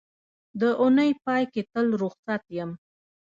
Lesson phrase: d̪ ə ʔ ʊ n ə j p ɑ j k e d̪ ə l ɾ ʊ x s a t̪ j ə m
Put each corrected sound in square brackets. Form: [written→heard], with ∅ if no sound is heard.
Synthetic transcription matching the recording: d̪ ə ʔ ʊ n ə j p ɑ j k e [d̪→t̪] ə l ɾ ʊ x s a t̪ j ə m